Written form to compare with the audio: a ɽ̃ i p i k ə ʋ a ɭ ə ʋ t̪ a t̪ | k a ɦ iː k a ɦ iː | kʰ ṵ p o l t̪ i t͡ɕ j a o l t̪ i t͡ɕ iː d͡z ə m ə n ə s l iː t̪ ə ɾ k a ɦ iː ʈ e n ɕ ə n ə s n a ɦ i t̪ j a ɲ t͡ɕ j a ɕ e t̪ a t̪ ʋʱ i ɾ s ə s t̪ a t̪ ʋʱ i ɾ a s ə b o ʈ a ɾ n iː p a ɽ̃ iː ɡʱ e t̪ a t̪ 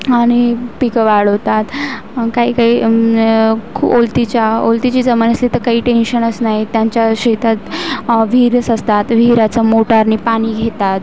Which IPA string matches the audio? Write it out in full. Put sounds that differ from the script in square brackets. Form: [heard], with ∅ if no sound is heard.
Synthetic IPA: a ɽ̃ i p i k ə ʋ a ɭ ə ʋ t̪ a t̪ | k a ɦ iː k a ɦ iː | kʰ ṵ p o l t̪ i t͡ɕ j a o l t̪ i t͡ɕ iː d͡z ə m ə n ə s l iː t̪ ə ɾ k a ɦ iː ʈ e n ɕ ə n ə s n a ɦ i t̪ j a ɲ t͡ɕ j a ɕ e t̪ a t̪ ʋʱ i ɾ s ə s t̪ a t̪ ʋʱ i ɾ a [t͡s] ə [m] o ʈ a ɾ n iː p a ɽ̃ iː ɡʱ e t̪ a t̪